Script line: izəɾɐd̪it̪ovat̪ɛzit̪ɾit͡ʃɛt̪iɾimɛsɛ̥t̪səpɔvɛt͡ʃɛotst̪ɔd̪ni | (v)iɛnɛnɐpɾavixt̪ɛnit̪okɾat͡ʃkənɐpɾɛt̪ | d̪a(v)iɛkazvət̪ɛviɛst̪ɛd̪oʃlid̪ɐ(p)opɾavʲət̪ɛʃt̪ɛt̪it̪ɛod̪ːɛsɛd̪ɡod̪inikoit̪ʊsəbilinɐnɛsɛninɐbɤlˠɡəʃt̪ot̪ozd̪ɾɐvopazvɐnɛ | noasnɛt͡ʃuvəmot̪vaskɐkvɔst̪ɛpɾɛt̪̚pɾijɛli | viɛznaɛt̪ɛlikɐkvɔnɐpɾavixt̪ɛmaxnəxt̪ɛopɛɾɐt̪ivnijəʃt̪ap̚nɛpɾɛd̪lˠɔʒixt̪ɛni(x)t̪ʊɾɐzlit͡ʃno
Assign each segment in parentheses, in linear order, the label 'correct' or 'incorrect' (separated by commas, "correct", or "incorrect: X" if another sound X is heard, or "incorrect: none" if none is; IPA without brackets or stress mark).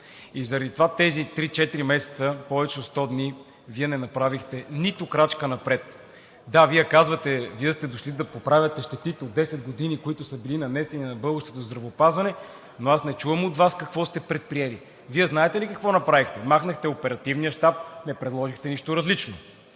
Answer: correct, correct, correct, incorrect: ʃ